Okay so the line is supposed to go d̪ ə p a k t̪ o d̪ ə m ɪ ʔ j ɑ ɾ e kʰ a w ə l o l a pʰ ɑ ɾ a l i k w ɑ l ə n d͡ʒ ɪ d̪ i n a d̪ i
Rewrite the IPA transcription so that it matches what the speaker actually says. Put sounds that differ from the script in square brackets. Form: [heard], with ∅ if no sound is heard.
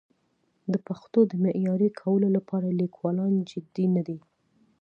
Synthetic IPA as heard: d̪ ə p a [x] t̪ o d̪ ə m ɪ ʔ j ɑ ɾ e kʰ a w ə l o l a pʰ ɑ ɾ a l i k w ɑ l [ɑ] n d͡ʒ ɪ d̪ i n a d̪ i